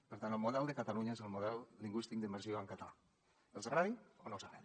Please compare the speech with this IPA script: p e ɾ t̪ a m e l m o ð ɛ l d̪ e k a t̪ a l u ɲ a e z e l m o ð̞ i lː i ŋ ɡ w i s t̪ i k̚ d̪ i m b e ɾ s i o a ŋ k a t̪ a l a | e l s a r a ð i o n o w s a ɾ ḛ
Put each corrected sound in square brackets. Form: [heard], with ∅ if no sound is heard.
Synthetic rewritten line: p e ɾ t̪ a [n] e l m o ð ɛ l d̪ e k a t̪ a l u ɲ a e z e l m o ð̞ [ɛ] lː i ŋ ɡ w i s t̪ i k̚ d̪ i m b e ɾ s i o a ŋ k a t̪ a l a | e l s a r a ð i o n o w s a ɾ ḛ